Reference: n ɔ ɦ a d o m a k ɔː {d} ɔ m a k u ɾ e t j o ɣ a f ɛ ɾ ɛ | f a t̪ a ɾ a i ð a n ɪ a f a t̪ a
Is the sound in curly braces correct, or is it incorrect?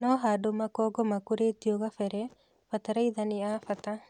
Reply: incorrect: ɡ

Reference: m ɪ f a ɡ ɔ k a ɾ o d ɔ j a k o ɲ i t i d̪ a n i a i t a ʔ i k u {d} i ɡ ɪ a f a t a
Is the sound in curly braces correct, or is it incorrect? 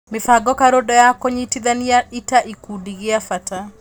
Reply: correct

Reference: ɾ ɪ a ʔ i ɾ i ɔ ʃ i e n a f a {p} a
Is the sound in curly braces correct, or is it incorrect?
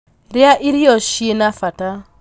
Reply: incorrect: t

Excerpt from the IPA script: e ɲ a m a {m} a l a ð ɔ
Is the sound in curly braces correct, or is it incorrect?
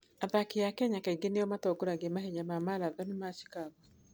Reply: correct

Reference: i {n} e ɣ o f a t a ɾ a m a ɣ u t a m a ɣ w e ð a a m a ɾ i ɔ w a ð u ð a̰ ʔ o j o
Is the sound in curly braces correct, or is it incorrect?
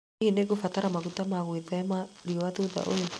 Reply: correct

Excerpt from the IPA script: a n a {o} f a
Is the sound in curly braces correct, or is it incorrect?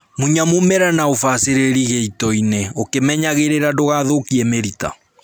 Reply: correct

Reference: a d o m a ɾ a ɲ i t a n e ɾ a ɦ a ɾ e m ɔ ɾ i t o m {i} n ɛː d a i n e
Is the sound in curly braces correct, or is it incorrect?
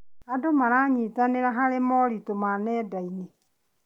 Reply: incorrect: a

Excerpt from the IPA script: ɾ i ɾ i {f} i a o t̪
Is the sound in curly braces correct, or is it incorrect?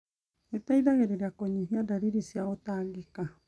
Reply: incorrect: s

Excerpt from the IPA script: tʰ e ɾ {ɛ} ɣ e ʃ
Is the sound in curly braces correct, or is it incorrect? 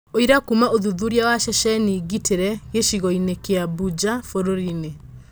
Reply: correct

